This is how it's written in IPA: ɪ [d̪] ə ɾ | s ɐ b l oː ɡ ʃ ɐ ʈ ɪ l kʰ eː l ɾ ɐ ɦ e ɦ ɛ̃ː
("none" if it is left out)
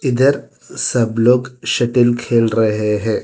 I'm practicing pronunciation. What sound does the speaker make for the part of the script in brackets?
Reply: d̪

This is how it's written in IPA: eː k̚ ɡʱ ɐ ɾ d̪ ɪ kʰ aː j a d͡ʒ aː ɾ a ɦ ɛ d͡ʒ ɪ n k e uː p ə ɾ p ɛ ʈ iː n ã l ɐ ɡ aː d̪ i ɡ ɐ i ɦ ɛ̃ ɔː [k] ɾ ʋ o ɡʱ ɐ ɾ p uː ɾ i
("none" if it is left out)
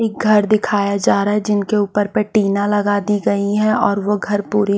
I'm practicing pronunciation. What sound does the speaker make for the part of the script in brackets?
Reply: none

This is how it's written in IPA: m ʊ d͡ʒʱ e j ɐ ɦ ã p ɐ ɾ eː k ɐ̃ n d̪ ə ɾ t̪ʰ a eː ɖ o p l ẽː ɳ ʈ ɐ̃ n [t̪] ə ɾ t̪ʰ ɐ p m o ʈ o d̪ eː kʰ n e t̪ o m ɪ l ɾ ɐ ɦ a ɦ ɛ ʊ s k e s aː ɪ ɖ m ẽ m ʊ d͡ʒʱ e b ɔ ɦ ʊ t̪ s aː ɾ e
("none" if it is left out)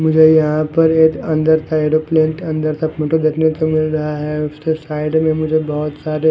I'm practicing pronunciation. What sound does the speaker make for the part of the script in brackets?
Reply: d̪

